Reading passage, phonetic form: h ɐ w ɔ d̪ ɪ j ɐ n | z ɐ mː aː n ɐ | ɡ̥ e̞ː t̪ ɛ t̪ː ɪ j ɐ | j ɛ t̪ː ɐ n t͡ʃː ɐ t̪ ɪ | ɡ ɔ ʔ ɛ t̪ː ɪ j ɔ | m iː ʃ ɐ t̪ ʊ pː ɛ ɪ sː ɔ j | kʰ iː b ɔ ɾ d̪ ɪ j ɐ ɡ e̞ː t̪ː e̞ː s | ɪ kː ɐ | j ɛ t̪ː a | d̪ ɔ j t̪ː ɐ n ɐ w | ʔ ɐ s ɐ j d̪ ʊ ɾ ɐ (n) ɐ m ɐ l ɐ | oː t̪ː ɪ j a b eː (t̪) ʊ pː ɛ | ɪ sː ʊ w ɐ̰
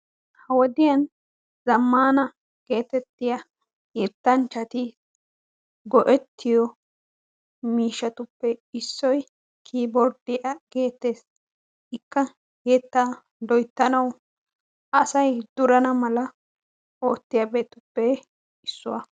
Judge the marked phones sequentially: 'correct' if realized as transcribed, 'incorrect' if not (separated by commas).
correct, correct